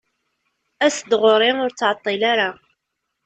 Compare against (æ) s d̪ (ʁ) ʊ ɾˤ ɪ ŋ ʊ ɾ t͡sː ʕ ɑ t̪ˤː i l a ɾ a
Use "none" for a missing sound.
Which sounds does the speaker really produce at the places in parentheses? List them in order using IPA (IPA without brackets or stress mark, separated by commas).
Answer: æ, ʁ